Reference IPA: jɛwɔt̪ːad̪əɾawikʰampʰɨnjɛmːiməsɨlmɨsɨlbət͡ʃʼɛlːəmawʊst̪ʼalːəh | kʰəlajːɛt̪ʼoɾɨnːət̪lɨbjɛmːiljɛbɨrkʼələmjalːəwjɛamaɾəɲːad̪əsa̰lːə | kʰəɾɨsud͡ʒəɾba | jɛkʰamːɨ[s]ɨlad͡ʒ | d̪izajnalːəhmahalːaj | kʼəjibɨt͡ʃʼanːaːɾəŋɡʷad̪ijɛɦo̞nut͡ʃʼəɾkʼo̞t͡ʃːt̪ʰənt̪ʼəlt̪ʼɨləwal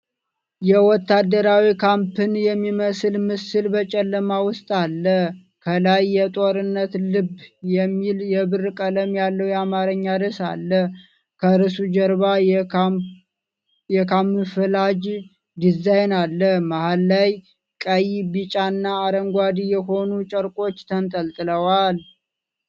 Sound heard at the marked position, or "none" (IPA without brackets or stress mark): f